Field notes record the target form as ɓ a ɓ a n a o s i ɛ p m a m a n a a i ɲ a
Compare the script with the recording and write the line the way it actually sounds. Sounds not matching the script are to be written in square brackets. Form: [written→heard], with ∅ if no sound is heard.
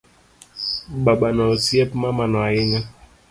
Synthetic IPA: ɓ a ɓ a n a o s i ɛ p m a m a n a a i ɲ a